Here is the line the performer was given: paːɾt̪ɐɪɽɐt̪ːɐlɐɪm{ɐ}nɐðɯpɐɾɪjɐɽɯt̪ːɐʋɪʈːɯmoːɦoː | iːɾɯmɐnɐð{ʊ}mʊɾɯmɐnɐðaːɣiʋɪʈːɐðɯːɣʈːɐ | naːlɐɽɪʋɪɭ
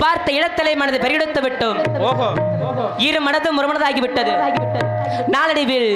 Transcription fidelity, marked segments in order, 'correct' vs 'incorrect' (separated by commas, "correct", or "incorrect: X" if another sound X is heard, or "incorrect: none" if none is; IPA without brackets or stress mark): correct, incorrect: ɯ